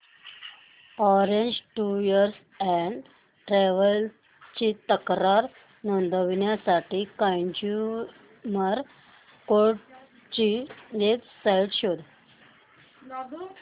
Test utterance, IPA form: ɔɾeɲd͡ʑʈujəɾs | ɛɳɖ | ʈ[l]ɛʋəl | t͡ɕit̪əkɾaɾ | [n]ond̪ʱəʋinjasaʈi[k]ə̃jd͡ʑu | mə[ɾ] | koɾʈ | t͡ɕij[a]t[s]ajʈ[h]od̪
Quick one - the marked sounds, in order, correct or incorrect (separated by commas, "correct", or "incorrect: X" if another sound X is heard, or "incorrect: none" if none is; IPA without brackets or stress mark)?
incorrect: ɾ, correct, correct, correct, incorrect: e, correct, incorrect: ɕ